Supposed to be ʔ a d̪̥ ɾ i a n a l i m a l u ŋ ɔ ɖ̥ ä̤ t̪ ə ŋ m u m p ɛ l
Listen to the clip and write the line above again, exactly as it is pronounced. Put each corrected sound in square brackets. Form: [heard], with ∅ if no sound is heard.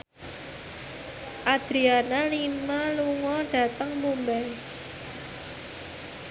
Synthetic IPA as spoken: ʔ a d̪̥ ɾ i a n a l i m a l u ŋ ɔ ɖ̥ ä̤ t̪ ə ŋ m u m [b] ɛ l